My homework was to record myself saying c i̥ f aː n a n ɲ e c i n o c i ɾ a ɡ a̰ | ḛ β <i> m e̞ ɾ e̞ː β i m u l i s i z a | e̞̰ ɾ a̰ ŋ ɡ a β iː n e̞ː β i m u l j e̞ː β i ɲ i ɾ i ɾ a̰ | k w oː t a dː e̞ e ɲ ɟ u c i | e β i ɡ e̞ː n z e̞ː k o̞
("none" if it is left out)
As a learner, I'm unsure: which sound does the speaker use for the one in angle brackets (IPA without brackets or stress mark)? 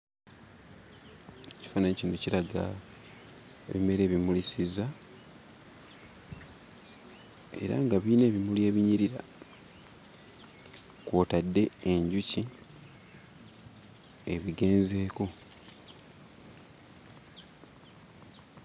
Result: i